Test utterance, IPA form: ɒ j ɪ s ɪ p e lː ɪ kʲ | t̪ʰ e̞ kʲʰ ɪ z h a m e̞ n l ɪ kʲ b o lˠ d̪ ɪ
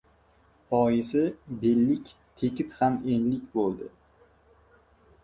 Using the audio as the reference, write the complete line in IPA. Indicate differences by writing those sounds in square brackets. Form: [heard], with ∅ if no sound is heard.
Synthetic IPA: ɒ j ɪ s ɪ [b] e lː ɪ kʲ | t̪ʰ e̞ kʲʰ ɪ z h a m e̞ n l ɪ kʲ b o lˠ d̪ ɪ